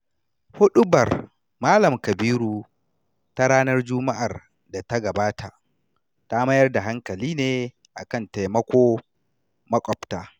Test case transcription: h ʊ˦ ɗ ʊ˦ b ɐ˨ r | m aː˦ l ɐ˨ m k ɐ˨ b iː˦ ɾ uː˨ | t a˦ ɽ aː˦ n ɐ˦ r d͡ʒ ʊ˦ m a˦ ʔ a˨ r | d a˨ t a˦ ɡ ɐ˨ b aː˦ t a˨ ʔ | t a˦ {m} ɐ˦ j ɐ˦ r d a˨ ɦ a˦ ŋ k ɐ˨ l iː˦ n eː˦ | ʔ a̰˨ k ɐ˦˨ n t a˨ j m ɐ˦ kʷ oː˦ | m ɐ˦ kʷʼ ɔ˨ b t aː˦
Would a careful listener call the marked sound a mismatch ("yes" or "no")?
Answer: no